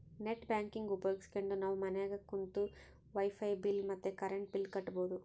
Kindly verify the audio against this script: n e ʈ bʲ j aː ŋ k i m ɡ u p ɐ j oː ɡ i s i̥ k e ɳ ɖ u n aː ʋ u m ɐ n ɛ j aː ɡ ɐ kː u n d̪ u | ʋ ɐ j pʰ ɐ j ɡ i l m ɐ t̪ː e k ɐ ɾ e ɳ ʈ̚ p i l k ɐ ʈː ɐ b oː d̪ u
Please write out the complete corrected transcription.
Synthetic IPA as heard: n e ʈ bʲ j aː ŋ k i ŋ ɡ u p ɐ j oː ɡ i s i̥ k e ɳ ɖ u n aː ʋ u m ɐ n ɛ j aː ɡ ɐ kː u n t̪ u | ʋ ɐ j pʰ ɐ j b i l m ɐ t̪ː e k ɐ ɾ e ɳ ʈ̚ b i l k ɐ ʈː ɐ b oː d̪ u